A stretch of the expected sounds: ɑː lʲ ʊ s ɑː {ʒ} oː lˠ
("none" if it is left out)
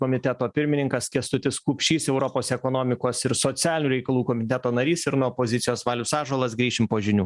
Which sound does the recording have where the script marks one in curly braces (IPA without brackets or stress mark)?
ʒ